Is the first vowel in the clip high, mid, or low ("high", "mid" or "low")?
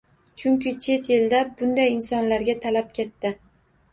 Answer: high